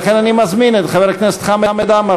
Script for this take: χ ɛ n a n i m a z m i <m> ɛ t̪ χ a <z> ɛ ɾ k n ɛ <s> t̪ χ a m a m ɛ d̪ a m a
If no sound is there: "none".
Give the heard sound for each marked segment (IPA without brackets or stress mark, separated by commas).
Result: n, v, s